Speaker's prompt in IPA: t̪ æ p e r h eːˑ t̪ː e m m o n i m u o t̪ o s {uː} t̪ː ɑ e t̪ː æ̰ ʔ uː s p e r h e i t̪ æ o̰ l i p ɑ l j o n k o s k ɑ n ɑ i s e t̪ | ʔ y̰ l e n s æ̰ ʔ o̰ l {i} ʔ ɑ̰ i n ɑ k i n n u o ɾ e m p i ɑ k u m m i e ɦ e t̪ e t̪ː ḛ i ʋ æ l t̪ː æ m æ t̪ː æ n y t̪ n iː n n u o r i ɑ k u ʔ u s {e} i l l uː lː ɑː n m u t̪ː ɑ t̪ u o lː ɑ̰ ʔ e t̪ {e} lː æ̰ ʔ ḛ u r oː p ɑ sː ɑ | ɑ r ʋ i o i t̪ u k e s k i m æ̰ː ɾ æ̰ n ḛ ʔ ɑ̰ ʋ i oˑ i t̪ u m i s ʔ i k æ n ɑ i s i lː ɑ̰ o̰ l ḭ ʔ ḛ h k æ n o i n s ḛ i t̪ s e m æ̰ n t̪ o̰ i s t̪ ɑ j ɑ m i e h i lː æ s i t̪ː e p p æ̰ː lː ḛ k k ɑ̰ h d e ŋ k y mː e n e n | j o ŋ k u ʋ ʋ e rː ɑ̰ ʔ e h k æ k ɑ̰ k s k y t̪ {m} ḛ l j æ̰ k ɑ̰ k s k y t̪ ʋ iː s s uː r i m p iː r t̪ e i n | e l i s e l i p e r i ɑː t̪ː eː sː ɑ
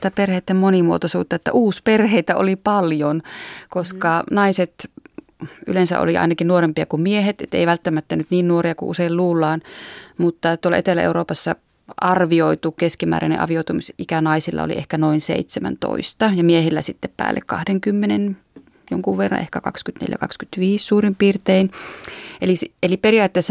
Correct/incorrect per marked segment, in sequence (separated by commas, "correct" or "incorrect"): correct, correct, correct, correct, incorrect